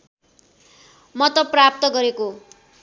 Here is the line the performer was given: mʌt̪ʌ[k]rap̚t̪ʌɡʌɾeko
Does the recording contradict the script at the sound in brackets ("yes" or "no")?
yes